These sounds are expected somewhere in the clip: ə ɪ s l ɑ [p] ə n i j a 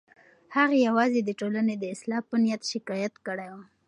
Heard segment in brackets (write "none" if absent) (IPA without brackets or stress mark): p